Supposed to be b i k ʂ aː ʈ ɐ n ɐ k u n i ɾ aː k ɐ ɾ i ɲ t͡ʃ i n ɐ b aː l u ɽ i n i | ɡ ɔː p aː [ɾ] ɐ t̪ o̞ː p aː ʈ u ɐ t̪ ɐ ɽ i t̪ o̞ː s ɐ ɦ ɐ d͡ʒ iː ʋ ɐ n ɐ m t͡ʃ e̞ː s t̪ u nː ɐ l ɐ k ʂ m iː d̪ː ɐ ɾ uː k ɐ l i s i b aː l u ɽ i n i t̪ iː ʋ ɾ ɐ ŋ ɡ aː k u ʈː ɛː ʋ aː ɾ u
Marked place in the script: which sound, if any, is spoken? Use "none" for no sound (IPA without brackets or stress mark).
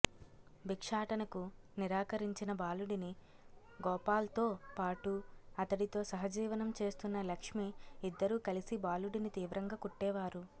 l